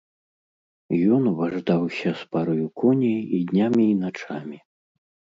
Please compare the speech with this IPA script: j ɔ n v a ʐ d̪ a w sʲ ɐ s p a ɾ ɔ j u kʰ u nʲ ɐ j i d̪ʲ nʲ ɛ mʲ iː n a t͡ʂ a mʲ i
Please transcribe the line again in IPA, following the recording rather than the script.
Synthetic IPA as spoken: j ɔ n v a ʐ d̪ a w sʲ ɐ s p a ɾ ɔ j u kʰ ɔ nʲ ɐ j i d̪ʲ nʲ a mʲ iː n a t͡ʂ a mʲ i